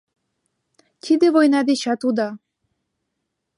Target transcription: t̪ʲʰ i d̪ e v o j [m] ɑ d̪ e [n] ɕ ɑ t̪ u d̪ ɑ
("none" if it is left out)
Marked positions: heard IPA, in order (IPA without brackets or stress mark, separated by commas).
n, none